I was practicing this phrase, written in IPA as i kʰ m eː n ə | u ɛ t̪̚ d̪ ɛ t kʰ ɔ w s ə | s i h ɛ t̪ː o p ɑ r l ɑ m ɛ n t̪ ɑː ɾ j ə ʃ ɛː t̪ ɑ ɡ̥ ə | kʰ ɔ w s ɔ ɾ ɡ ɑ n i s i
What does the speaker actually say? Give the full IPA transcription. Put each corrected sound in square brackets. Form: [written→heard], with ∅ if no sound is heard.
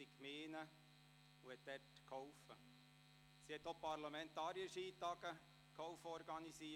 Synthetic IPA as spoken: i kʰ m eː n ə | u ɛ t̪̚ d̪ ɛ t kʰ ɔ w [s→f] ə | s i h ɛ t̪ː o p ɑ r l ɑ m ɛ n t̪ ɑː ɾ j ə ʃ [ɛː→iː] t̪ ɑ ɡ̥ ə | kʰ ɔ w [s→f] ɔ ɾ ɡ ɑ n i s i